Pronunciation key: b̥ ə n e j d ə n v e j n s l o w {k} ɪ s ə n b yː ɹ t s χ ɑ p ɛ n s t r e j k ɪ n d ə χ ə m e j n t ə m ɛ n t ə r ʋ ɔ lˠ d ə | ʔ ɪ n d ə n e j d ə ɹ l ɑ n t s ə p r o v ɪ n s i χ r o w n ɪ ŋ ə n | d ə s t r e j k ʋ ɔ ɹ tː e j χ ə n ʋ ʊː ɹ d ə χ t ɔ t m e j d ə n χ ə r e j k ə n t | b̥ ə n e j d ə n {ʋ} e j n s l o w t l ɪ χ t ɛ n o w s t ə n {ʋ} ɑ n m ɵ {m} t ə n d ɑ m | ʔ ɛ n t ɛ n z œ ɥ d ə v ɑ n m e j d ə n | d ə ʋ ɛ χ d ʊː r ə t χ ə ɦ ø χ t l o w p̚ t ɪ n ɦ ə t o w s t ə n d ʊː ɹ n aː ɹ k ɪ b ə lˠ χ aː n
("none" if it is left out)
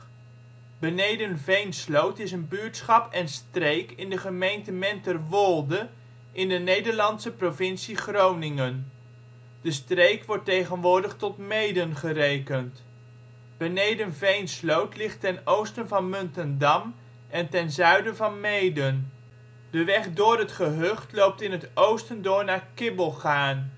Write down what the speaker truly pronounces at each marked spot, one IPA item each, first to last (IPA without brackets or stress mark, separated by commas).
t, v, v, n